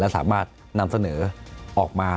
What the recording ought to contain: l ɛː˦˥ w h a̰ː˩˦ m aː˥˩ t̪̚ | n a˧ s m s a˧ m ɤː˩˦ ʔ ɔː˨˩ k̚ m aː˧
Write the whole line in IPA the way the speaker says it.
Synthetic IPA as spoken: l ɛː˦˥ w s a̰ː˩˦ m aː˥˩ t̪̚ | n a˧ m s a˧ n ɤː˩˦ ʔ ɔː˨˩ k̚ m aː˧